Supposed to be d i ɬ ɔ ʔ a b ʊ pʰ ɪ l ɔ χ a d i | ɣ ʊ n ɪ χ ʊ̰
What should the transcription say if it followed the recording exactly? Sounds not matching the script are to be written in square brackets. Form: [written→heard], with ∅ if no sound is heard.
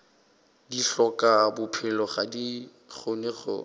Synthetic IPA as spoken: d i ɬ ɔ [ʔ→k] a b ʊ pʰ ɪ l ɔ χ a d i | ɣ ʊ n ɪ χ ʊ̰